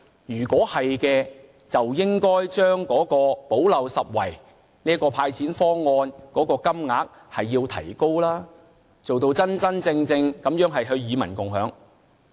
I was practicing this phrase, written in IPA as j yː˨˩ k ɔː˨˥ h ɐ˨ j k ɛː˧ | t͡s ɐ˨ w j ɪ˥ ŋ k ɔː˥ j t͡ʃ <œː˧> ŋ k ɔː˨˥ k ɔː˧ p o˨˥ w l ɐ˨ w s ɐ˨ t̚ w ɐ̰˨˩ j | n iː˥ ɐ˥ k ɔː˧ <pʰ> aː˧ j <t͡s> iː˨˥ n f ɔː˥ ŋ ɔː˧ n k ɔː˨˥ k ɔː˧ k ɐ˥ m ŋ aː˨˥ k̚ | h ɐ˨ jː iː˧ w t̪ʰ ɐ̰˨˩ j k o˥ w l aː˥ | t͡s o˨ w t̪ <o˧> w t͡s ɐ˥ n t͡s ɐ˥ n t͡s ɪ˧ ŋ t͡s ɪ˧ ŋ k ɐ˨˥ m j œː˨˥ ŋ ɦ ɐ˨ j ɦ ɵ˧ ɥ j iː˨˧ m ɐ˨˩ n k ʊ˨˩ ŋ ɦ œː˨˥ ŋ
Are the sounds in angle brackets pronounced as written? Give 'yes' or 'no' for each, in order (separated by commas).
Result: no, yes, no, yes